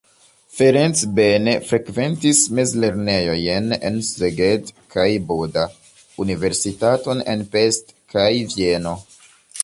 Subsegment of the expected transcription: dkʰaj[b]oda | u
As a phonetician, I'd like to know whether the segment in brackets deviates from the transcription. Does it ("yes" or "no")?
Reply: no